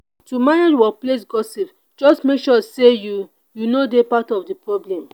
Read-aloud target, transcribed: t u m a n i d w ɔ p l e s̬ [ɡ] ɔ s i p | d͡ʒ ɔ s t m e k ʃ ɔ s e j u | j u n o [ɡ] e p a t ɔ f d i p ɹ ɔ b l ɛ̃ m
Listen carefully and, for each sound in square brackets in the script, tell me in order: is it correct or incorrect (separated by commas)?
correct, incorrect